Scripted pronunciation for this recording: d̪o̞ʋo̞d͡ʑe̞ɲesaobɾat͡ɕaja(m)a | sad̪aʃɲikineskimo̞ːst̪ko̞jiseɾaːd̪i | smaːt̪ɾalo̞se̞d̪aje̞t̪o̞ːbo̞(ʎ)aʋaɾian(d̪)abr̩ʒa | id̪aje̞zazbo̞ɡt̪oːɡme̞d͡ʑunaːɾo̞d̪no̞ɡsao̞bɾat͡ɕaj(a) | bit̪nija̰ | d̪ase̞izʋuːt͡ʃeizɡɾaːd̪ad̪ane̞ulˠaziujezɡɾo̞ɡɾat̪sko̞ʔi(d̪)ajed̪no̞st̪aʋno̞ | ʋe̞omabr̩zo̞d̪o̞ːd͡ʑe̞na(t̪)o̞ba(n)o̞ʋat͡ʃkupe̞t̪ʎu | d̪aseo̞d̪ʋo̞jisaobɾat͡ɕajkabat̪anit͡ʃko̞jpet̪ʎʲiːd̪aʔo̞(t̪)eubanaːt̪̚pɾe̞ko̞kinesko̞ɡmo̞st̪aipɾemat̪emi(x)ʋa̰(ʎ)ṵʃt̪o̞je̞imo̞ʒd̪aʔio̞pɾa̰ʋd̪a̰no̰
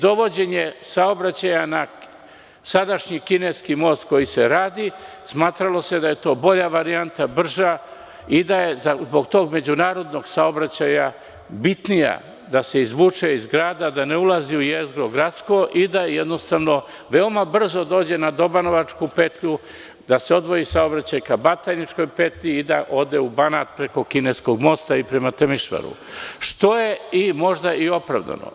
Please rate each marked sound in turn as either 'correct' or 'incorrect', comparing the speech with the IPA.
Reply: incorrect: n, correct, incorrect: t̪, correct, correct, incorrect: d̪, correct, incorrect: d̪, incorrect: ʃ, incorrect: ɾ

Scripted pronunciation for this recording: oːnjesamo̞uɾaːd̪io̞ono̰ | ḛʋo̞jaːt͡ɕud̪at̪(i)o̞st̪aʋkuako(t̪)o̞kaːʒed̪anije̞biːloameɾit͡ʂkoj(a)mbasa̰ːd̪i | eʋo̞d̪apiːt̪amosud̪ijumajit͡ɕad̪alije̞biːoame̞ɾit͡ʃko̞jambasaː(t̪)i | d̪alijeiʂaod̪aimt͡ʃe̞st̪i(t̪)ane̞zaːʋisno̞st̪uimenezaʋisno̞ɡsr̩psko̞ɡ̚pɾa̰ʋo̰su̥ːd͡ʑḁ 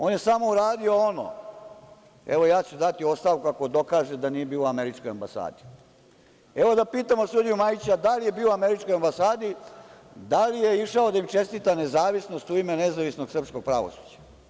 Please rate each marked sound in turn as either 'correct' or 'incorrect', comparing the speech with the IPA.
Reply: correct, incorrect: d̪, correct, incorrect: d̪, correct

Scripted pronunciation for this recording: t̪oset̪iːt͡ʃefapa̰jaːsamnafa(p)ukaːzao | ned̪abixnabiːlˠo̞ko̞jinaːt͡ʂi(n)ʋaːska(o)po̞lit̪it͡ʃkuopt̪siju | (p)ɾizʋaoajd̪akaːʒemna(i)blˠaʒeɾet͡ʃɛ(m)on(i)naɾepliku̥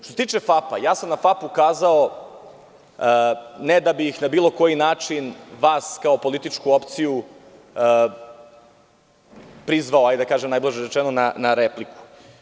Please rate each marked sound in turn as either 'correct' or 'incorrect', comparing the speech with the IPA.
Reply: correct, correct, correct, correct, incorrect: j, incorrect: n, incorrect: a

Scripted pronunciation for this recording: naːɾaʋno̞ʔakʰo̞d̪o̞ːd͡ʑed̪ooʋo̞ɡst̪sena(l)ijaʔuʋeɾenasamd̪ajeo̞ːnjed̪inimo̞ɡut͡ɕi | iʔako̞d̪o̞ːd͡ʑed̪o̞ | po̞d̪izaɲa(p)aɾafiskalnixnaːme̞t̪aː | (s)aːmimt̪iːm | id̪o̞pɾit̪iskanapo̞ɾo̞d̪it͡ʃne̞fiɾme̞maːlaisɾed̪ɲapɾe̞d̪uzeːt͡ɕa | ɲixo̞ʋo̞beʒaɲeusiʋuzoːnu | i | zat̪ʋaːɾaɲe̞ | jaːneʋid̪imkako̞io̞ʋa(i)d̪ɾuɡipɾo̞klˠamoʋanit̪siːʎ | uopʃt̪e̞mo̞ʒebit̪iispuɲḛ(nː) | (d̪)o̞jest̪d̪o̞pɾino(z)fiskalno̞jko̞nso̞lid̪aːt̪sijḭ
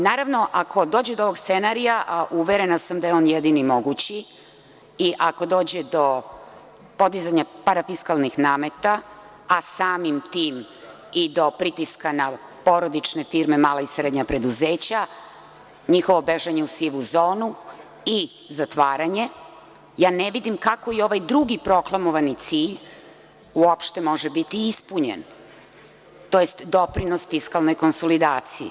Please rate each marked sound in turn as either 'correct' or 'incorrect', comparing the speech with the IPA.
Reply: incorrect: ɾ, correct, correct, incorrect: j, incorrect: n, incorrect: t̪, incorrect: s

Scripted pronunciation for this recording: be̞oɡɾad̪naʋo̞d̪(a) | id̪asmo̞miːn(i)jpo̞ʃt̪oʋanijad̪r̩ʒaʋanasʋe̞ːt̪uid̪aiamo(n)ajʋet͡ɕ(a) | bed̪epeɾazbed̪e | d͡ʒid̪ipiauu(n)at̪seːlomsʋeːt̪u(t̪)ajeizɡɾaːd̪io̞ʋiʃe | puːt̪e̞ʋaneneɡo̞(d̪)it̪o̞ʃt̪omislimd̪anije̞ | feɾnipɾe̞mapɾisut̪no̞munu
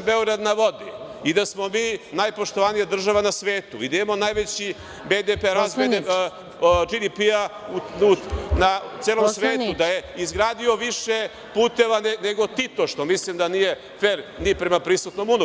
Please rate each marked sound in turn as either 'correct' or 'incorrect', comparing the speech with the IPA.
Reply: incorrect: i, incorrect: a, correct, incorrect: i, correct, incorrect: d̪, incorrect: t̪

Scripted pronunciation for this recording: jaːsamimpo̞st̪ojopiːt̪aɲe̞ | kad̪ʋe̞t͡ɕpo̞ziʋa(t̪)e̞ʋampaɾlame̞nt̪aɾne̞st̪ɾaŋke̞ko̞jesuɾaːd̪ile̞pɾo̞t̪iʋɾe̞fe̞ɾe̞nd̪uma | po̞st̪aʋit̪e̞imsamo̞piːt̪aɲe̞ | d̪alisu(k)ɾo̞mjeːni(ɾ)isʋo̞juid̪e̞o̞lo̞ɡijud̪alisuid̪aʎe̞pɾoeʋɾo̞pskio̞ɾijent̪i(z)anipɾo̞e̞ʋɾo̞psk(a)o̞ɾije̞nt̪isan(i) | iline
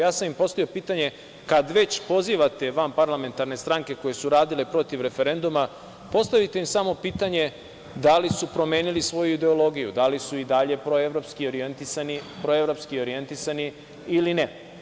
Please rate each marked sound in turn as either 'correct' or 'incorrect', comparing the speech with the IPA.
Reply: correct, incorrect: p, incorrect: l, incorrect: s, incorrect: i, correct

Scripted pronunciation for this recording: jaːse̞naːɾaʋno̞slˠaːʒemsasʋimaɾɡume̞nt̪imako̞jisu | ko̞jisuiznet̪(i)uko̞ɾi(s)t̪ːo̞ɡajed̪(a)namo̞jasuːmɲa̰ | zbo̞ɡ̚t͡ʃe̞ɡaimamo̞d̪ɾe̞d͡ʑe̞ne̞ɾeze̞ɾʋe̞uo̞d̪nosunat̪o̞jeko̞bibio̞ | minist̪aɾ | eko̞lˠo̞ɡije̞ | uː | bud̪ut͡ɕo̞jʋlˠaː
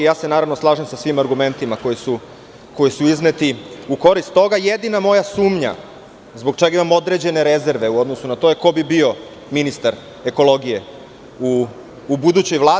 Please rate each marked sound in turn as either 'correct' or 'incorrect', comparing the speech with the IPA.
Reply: correct, correct, incorrect: i

